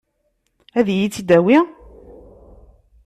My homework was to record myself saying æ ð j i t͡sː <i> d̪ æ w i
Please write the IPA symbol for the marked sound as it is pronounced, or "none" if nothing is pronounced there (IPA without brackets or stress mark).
i